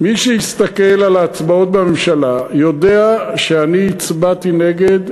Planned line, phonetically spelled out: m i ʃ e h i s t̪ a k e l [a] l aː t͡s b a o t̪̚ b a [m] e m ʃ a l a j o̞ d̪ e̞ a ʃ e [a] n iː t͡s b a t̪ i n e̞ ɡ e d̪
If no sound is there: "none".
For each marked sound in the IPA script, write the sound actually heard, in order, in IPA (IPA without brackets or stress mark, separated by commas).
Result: a, m, a